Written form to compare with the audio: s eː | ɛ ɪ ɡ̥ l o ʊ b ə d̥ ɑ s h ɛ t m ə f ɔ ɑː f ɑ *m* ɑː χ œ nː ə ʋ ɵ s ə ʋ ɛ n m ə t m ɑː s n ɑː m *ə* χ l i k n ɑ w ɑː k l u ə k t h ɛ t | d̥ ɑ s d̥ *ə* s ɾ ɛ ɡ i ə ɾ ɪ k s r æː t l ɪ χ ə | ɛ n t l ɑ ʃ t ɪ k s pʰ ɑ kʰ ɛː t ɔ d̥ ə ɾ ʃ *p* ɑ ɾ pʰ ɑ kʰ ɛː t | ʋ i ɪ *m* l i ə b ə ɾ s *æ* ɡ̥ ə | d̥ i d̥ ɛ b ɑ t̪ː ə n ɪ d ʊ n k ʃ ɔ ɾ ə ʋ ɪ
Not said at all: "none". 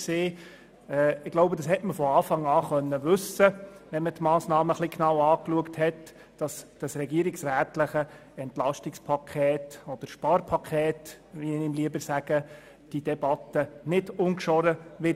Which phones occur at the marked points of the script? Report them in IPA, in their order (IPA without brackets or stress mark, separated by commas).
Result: ŋ, ə, ɑ, p, m, æ